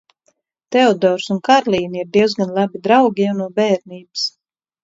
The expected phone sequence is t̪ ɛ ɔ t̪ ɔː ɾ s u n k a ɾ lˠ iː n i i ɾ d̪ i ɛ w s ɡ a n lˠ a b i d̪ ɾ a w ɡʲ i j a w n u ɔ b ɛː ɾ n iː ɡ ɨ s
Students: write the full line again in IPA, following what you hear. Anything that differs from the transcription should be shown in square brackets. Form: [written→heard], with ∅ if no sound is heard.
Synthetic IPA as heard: t̪ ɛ ɔ [t̪→d̪] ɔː ɾ s u n k a ɾ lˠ iː n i i ɾ d̪ i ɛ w [s→z] ɡ a n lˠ a b i d̪ ɾ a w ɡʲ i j a w n u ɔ b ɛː ɾ n iː [ɡ→b] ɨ s